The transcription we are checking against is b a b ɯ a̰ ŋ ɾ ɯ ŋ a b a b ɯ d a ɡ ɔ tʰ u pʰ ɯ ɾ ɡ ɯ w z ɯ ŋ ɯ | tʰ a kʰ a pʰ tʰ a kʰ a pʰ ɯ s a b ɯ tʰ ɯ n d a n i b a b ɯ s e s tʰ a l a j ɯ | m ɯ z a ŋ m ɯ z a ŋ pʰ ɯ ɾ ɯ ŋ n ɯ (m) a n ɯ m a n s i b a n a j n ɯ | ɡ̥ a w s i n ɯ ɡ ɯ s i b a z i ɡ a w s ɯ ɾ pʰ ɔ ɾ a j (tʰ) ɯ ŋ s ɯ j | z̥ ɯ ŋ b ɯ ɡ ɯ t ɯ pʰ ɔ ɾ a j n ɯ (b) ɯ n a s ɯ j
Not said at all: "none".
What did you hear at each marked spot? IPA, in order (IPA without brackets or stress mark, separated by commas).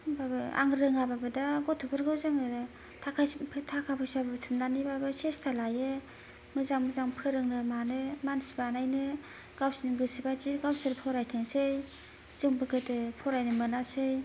m, tʰ, m